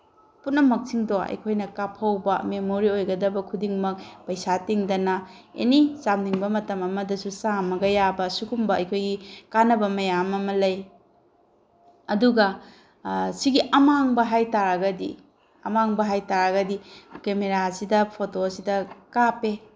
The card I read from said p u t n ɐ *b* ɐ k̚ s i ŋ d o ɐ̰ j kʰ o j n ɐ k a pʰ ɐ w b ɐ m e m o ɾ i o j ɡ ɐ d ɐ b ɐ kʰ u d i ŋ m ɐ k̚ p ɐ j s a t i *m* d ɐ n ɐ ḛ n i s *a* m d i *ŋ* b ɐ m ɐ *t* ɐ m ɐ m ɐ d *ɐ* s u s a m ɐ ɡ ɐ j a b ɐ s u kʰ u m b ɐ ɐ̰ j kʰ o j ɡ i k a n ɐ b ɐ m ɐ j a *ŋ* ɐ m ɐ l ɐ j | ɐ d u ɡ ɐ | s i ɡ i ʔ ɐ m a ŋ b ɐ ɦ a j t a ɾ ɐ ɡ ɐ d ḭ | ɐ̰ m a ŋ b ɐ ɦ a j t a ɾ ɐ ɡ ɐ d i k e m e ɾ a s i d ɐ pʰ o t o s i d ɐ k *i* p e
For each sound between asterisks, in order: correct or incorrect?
incorrect, incorrect, correct, correct, correct, correct, incorrect, incorrect

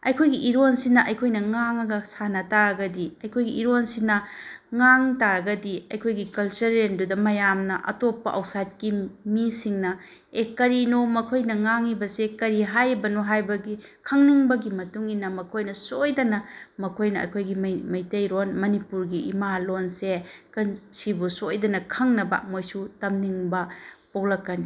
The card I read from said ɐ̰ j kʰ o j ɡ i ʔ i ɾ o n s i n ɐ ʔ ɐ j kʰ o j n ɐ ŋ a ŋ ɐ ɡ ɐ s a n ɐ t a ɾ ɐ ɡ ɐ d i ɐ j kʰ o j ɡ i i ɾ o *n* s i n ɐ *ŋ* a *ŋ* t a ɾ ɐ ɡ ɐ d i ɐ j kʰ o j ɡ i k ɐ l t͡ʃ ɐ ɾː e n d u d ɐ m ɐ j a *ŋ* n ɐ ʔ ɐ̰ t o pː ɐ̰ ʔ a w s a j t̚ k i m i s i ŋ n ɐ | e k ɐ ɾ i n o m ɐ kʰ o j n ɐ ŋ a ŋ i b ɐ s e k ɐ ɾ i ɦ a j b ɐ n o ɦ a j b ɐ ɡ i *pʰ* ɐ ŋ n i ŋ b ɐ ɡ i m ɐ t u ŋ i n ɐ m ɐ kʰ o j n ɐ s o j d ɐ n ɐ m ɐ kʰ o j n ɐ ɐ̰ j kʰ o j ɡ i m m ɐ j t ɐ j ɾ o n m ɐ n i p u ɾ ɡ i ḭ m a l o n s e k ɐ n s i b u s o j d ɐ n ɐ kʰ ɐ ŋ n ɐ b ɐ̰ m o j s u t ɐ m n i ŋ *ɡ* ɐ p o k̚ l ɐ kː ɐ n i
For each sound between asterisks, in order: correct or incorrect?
correct, correct, correct, incorrect, incorrect, incorrect

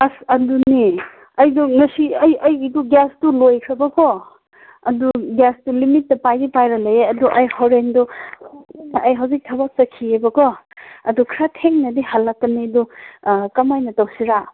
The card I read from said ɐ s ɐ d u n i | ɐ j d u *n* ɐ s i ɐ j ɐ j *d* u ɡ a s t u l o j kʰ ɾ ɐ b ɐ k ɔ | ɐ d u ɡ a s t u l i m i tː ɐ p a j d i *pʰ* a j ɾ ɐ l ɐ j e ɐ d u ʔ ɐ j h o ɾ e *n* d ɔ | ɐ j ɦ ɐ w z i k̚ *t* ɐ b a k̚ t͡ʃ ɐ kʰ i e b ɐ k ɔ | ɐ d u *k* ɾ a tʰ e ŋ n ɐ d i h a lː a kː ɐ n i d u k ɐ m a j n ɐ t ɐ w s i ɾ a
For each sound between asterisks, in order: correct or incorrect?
incorrect, correct, incorrect, correct, incorrect, incorrect

